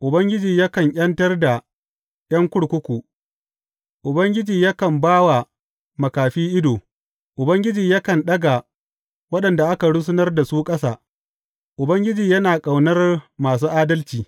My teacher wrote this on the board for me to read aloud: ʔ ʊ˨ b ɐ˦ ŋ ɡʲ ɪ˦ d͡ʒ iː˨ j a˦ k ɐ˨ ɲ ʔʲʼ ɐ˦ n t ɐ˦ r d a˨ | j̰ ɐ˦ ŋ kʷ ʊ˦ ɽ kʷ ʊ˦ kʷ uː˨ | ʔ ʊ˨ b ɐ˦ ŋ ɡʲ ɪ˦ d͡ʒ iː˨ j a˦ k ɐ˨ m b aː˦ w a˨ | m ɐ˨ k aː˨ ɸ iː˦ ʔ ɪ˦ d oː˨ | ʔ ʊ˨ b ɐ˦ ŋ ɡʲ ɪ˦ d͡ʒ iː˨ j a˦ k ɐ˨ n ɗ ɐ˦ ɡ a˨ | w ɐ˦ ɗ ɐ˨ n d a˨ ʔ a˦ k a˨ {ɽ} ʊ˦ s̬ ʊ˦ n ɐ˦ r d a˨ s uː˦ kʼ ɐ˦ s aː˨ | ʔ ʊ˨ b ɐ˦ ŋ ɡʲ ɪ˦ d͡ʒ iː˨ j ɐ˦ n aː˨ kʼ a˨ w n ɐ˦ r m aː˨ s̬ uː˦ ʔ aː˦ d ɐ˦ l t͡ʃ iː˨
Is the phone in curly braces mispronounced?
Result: no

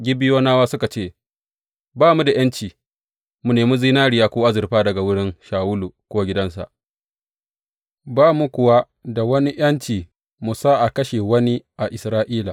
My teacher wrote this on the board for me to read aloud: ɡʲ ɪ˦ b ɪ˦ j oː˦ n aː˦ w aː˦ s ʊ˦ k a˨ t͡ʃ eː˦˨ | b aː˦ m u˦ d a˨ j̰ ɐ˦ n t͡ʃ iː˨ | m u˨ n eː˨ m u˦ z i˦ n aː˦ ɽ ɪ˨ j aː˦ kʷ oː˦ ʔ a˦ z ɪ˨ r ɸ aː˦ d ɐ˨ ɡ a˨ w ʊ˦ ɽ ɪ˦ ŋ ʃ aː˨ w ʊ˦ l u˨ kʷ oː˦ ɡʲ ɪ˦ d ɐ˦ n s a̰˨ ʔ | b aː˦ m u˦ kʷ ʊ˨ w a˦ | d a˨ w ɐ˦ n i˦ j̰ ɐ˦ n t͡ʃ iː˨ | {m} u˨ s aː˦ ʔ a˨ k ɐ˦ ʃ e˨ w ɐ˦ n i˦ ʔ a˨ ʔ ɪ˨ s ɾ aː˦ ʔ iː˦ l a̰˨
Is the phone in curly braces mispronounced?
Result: no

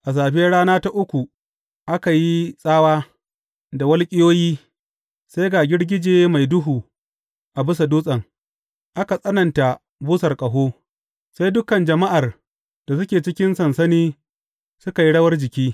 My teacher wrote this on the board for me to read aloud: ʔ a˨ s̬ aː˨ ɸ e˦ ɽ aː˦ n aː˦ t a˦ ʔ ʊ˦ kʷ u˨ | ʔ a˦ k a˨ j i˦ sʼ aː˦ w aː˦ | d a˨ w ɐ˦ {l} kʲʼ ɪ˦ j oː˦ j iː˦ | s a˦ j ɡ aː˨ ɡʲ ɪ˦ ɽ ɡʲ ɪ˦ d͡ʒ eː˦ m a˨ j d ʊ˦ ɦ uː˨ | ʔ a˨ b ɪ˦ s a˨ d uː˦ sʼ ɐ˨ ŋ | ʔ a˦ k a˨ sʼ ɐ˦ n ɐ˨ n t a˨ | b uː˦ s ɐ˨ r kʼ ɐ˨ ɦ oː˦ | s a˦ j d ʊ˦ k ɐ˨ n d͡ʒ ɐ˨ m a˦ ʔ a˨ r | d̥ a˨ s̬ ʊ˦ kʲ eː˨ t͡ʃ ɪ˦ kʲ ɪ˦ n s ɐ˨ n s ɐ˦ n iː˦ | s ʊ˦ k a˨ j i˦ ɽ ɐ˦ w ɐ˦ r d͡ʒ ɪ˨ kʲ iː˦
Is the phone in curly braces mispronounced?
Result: no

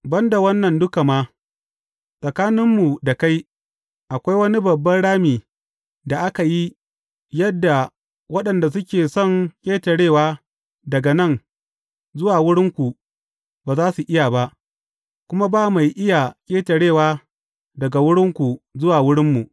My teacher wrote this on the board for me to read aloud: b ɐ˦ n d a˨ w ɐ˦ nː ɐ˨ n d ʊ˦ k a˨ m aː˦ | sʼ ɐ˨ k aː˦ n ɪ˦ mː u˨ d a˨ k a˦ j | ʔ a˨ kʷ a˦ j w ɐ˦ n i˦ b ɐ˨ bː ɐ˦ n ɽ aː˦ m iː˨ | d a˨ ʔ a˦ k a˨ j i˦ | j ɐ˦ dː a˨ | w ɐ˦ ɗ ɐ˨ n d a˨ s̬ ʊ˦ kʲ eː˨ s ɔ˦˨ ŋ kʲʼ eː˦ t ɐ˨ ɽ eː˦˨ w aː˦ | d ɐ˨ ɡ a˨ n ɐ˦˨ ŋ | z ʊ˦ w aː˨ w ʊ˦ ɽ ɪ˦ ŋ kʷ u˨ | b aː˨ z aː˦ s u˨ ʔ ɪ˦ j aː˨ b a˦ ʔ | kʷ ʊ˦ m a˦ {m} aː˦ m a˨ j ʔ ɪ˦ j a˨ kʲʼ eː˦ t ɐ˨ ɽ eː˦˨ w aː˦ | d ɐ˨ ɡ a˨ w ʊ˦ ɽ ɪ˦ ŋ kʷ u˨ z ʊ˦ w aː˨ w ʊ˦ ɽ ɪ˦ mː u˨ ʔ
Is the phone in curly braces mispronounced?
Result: yes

